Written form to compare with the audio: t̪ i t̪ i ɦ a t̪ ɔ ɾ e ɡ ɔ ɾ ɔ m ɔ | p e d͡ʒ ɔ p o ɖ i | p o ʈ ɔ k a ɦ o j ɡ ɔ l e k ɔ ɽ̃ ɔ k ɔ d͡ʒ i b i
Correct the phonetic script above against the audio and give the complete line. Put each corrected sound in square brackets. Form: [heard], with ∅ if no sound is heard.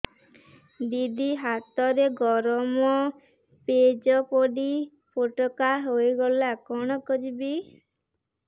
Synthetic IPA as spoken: [d̪] i [d̪] i ɦ a t̪ ɔ ɾ e ɡ ɔ ɾ ɔ m ɔ | p e d͡ʒ ɔ p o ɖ i | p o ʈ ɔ k a ɦ o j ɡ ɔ l [a] k ɔ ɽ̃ ɔ k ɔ d͡ʒ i b i